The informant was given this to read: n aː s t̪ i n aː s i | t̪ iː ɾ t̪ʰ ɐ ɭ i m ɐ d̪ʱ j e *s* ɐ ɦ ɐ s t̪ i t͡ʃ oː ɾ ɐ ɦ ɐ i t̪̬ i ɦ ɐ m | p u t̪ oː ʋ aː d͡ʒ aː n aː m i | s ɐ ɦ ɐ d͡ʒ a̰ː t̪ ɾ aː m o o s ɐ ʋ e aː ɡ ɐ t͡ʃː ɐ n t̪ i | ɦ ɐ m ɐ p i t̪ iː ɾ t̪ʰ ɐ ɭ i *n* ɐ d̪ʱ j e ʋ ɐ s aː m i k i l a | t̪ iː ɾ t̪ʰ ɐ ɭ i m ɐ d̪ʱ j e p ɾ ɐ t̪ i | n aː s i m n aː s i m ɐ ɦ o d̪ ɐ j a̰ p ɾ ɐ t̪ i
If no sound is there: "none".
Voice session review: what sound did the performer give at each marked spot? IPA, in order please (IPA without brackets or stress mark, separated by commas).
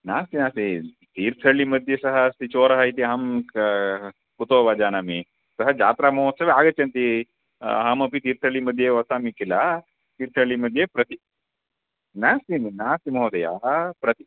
s, m